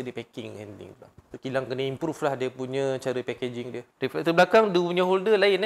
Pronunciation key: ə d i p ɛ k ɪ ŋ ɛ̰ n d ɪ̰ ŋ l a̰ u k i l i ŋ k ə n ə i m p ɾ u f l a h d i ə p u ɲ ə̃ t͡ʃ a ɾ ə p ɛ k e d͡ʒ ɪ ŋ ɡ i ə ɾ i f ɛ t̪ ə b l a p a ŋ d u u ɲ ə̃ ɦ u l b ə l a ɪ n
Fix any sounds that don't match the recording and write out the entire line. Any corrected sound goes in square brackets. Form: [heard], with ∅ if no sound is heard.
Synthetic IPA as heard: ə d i p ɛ k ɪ ŋ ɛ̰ n d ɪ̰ ŋ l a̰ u k i l [a] ŋ k ə n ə i m p ɾ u f l a h d i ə p u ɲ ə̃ t͡ʃ a ɾ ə p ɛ k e d͡ʒ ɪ ŋ [d] i ə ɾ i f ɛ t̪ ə b l a [k] a ŋ d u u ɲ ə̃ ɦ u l [d] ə l a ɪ n